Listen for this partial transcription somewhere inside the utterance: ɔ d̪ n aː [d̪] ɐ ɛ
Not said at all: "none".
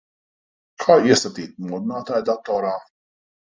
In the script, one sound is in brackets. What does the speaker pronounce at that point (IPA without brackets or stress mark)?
t̪